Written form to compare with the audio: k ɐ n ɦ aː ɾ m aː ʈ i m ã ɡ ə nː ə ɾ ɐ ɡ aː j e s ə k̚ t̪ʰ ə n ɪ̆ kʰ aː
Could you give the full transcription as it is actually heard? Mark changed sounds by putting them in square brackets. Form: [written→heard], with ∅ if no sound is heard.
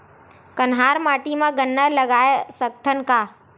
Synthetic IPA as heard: k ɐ n ɦ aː ɾ m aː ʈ i m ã ɡ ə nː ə [ɾ→l] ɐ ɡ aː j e s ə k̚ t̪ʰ ə n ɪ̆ [kʰ→k] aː

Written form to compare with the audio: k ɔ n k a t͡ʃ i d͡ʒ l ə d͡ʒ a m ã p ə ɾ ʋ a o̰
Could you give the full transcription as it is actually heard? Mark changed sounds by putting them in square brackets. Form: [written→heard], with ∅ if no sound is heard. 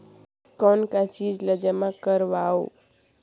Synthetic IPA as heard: k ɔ n k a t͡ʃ i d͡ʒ l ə d͡ʒ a m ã [p→k] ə ɾ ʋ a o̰

